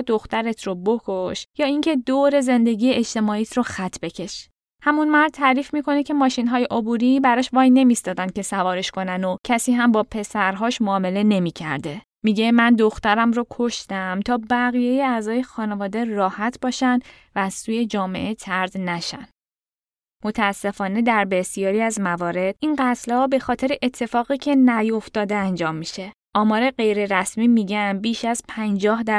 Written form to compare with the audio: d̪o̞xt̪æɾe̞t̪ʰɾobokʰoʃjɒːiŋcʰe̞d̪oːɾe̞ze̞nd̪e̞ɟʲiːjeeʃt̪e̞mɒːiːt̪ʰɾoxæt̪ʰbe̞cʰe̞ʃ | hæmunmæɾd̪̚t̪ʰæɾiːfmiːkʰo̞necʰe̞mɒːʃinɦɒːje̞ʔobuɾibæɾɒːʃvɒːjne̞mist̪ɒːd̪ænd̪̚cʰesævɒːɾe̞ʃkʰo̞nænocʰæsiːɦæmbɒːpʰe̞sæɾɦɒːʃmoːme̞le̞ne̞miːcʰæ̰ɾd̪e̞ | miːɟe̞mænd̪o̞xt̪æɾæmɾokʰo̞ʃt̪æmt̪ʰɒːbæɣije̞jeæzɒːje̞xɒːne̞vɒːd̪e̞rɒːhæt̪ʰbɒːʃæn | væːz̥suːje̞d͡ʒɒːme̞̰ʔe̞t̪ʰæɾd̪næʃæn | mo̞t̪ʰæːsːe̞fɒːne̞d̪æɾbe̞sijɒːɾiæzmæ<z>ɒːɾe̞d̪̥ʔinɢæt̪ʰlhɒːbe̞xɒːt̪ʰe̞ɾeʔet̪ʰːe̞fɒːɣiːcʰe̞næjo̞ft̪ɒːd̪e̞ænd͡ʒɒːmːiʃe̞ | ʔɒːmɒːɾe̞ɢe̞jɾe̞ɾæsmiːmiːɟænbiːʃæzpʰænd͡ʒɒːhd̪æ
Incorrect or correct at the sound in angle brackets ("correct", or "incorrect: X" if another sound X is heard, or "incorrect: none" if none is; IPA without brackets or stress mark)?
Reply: incorrect: v